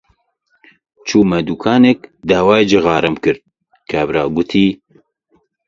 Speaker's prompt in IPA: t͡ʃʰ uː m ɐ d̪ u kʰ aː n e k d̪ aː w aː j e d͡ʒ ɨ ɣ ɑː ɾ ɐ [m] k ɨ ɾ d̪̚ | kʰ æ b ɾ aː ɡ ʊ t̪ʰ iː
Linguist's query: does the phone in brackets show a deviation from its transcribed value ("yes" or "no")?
no